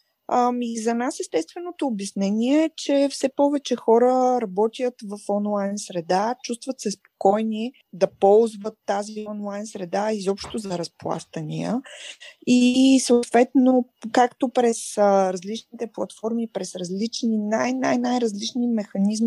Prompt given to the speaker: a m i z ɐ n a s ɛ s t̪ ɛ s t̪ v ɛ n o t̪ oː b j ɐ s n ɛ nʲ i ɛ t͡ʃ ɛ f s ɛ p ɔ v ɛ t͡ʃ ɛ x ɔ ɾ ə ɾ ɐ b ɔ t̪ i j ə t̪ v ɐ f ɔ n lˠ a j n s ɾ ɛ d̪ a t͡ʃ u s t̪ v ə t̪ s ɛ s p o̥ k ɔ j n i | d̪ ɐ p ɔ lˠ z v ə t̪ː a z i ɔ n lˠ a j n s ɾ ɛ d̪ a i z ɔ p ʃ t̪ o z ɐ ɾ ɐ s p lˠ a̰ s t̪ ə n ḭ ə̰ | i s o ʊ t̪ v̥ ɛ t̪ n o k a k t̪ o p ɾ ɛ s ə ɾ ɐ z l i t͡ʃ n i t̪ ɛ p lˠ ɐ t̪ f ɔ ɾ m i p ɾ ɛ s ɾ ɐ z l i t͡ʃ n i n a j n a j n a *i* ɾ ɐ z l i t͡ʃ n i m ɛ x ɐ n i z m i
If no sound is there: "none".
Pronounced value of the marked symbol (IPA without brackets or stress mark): j